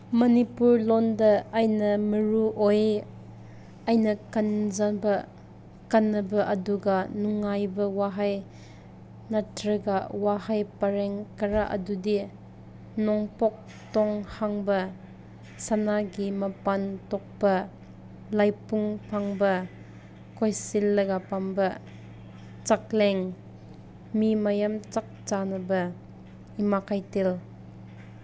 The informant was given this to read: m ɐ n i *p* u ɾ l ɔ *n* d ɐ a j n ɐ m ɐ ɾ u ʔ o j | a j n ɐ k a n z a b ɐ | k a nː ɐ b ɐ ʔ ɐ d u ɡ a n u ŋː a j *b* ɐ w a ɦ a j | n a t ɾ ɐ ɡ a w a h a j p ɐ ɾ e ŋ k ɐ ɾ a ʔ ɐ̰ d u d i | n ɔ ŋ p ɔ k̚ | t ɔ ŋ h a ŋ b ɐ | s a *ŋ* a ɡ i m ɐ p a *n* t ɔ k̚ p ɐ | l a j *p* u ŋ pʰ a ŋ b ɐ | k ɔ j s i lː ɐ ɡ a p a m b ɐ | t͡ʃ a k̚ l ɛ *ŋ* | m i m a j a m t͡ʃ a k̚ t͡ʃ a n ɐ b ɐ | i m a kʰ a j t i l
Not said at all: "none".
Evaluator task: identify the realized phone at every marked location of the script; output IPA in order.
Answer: p, n, b, n, n, p, ŋ

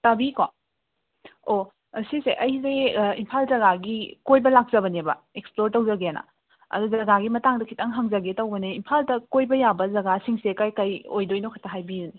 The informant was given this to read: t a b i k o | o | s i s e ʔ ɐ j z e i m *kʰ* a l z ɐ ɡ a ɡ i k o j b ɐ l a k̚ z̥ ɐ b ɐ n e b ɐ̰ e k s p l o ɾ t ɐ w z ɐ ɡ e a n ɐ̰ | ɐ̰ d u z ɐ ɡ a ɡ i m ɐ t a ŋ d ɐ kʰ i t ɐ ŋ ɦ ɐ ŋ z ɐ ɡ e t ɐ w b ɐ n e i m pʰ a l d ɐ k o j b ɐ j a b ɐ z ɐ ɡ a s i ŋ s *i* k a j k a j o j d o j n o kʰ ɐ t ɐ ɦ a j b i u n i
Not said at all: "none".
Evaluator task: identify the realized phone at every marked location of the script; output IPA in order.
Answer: pʰ, e

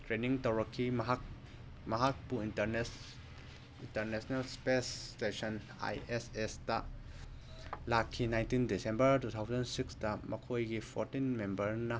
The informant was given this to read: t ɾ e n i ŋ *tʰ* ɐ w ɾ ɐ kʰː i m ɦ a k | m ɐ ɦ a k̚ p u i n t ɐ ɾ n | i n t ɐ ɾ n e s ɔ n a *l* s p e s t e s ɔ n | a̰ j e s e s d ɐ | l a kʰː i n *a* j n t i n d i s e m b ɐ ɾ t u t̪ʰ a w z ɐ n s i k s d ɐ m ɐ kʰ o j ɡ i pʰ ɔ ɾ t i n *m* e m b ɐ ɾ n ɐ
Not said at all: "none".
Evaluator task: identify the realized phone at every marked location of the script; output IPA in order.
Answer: t, l, a, m

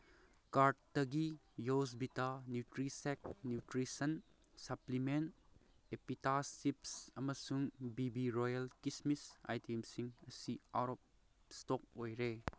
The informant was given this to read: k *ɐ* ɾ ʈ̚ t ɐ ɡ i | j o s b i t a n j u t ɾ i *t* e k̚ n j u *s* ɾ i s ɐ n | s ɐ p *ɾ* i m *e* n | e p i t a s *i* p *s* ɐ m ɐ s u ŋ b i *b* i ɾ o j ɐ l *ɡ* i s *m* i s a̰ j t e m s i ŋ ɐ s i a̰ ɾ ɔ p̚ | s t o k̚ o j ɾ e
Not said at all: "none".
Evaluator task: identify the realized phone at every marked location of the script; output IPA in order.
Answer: a, s, t, l, e, i, s, b, k, m

